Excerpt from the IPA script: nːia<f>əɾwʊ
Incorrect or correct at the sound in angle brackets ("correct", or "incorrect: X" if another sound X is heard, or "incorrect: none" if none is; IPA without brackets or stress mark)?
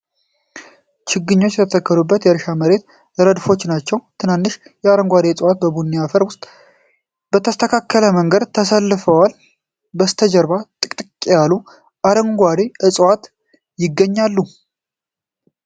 correct